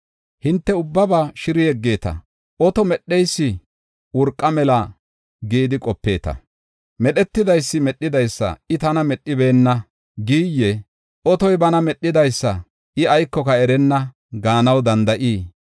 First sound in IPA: h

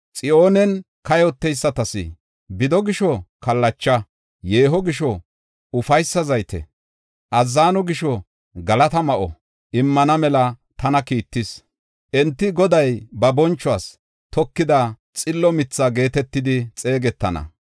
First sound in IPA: t͡sʼ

